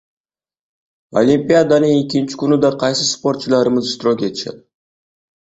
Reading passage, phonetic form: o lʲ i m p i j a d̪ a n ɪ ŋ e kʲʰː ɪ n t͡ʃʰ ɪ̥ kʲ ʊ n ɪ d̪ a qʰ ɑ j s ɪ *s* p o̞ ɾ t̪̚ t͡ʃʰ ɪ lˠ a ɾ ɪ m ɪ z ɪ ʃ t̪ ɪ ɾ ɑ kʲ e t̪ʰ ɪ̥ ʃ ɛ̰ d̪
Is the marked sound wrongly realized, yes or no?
no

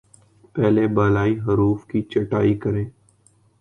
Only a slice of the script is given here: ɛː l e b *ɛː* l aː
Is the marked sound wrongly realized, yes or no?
yes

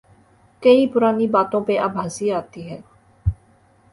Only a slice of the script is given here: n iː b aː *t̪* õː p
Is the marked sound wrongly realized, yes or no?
no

